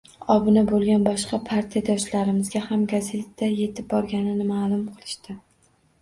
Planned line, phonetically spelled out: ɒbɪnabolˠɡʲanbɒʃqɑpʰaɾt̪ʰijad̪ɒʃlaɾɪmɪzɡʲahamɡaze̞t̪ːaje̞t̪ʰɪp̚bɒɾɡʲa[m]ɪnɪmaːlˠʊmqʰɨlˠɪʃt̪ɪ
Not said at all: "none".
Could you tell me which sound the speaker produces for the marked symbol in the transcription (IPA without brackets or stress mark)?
n